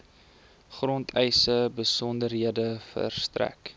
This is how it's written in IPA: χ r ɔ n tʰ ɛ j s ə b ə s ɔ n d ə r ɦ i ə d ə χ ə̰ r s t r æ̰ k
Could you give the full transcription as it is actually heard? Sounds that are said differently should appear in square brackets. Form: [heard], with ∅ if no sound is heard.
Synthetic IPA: χ r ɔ n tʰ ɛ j s ə b ə s ɔ n d ə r ɦ i ə d ə [f] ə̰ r s t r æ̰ k